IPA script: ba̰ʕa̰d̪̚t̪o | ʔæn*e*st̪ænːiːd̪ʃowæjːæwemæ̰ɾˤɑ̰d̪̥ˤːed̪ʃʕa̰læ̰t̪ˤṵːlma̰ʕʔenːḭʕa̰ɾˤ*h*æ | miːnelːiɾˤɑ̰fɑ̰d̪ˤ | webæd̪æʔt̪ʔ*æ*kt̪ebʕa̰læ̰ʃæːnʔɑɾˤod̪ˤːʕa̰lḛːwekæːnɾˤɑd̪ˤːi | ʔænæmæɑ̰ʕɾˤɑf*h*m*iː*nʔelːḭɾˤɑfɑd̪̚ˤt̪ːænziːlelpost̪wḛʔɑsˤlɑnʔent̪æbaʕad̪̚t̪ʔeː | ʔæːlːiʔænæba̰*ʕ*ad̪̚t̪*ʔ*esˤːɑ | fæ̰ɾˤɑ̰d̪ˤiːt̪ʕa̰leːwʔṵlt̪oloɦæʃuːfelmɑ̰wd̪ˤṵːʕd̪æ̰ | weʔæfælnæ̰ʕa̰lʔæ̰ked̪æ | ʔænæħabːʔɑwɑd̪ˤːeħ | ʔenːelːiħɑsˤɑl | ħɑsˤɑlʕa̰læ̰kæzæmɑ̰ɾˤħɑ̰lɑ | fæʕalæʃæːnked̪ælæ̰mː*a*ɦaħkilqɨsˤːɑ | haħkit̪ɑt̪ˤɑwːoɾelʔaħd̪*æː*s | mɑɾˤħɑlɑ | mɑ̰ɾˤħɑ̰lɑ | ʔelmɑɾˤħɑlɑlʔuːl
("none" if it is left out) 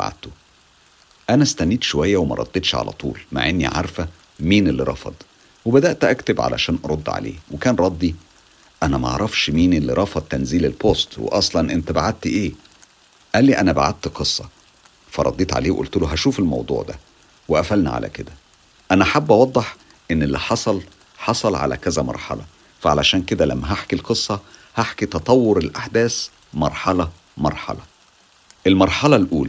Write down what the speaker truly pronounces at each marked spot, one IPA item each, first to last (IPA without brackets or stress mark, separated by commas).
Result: æ, f, æ, ʃ, iː, ʕ, q, æ, æː